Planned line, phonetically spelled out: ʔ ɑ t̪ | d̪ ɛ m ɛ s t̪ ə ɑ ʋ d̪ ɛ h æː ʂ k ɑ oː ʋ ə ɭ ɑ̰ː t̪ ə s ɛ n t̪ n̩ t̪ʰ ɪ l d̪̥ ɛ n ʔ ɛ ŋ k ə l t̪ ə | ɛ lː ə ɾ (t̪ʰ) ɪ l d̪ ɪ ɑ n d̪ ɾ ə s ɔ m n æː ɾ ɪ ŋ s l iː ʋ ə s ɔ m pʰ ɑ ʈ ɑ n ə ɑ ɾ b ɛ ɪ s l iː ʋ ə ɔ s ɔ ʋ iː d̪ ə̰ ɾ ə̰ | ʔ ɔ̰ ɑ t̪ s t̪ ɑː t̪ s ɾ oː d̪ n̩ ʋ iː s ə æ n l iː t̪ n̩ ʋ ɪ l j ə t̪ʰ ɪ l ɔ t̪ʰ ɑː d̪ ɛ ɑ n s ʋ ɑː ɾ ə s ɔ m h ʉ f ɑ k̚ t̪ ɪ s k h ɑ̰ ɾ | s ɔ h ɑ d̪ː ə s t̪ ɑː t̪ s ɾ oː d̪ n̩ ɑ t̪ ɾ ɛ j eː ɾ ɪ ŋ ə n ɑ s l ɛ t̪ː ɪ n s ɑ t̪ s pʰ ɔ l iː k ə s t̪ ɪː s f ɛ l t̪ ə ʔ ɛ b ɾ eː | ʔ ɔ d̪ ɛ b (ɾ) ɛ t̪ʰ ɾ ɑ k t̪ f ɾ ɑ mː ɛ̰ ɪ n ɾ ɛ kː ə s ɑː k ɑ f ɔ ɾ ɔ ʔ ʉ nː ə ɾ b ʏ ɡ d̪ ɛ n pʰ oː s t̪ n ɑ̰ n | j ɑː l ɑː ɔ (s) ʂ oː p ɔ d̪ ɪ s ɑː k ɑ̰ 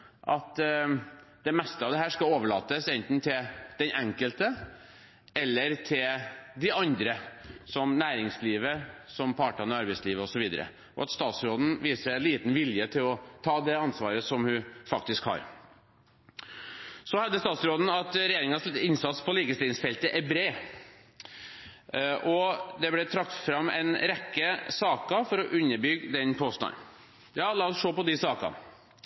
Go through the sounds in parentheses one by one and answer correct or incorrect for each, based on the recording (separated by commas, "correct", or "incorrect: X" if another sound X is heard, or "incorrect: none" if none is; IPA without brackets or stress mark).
correct, incorrect: l, correct